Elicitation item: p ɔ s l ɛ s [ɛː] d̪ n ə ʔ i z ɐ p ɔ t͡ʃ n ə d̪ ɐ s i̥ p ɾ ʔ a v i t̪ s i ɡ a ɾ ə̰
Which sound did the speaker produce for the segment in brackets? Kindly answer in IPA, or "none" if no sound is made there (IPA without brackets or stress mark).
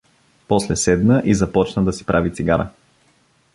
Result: ɛ